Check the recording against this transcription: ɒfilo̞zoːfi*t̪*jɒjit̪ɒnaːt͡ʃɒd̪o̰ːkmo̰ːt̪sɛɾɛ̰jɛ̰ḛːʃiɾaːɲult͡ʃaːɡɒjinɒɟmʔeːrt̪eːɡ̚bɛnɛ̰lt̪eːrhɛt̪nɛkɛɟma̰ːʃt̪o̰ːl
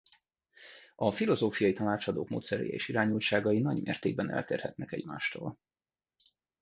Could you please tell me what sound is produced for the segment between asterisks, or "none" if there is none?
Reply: none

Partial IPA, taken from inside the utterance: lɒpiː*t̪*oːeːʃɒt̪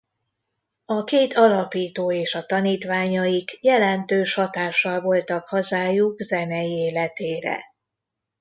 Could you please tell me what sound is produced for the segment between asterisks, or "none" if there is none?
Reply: t̪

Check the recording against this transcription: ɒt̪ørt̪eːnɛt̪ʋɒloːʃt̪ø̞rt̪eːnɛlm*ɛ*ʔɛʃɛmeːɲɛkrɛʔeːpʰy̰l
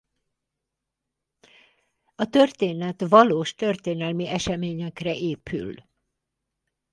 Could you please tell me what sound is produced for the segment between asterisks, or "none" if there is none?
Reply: i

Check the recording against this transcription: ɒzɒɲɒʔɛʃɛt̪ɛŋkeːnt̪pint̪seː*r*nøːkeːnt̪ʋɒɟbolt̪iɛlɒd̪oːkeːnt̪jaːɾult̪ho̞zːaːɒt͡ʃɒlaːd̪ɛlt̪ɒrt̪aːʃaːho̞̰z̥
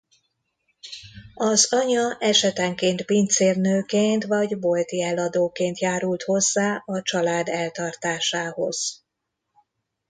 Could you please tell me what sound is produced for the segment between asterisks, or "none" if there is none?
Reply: r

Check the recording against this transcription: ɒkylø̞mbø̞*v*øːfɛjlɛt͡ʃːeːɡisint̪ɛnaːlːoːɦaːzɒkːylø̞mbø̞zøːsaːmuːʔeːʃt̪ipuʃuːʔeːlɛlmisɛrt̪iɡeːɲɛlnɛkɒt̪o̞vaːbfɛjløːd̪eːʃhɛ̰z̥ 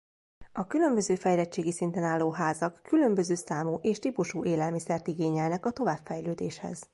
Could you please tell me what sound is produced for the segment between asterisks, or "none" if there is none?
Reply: z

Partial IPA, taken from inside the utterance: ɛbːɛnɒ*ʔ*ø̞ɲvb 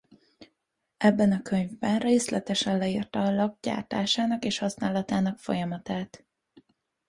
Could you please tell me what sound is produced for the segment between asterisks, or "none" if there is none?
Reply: k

